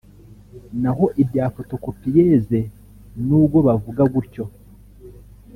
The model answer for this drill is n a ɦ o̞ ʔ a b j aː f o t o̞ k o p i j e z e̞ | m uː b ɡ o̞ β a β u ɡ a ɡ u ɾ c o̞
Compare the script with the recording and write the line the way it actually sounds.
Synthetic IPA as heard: n a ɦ o̞ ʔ i b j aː f o t o̞ k o p i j e z e̞ | n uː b ɡ o̞ β a v u ɡ a ɡ u ɾ c o̞